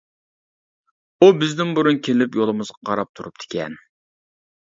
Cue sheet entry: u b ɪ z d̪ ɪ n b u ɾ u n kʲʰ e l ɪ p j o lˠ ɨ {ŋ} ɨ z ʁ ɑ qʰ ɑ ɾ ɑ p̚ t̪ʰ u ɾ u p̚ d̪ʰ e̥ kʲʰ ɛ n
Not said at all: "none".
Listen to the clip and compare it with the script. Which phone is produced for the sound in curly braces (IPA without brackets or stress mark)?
m